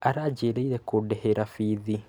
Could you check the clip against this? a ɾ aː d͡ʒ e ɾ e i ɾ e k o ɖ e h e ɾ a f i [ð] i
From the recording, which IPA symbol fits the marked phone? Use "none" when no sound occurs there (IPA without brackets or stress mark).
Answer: ð